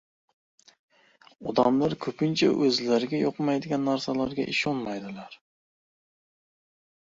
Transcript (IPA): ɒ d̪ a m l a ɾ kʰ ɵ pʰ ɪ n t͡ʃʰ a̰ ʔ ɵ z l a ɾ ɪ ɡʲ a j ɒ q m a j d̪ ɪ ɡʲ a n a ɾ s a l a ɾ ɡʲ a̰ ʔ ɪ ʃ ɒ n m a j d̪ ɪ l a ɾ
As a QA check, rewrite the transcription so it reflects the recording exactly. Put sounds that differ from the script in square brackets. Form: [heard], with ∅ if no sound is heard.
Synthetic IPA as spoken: ɒ d̪ a m l a ɾ kʰ ɵ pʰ ɪ n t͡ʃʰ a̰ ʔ ɵ z l a ɾ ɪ ɡʲ a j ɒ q m a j d̪ ɪ ɡʲ a [nː] a ɾ s a l a ɾ ɡʲ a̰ ʔ ɪ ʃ ɒ n m a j d̪ ɪ l a ɾ